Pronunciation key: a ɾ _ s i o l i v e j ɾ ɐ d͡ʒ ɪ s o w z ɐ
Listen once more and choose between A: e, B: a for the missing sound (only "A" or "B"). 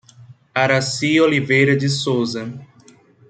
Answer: B